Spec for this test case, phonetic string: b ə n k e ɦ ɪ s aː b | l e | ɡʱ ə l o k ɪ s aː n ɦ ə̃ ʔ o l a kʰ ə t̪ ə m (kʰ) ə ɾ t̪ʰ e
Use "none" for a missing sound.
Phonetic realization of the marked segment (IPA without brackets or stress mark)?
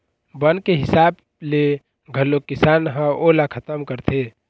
k